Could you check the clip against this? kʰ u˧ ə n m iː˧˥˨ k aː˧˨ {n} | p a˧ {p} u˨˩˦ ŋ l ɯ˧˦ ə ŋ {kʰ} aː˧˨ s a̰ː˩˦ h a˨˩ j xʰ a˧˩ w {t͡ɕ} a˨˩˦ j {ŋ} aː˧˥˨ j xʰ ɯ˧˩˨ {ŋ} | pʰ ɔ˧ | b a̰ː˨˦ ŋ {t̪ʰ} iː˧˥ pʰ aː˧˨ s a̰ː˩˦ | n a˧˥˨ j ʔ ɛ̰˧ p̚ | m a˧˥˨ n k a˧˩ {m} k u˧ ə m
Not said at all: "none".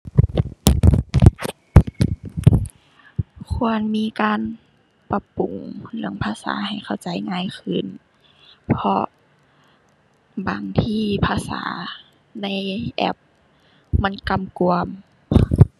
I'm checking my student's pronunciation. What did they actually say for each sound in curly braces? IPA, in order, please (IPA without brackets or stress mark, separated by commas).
n, p, pʰ, t͡ɕ, ŋ, n, t̪ʰ, m